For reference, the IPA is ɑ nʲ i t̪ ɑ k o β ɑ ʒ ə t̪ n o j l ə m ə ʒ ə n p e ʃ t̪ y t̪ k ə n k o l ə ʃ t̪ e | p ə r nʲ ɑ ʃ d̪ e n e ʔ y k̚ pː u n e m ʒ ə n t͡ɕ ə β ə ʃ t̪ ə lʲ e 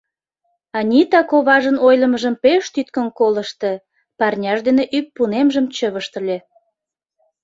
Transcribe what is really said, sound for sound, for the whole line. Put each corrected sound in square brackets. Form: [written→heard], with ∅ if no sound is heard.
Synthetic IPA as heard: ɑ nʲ i t̪ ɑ k o β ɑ ʒ ə [t̪→∅] n o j l ə m ə ʒ ə [n→m] p e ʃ t̪ y t̪ k ə n k o l ə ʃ t̪ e | p [ə→ɑ] r nʲ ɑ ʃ d̪ e n e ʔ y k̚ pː u n e m ʒ ə [n→m] t͡ɕ ə β ə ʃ t̪ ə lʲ e